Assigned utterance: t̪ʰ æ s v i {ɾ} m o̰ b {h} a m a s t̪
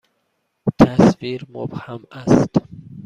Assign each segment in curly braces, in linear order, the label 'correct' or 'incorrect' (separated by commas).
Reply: correct, correct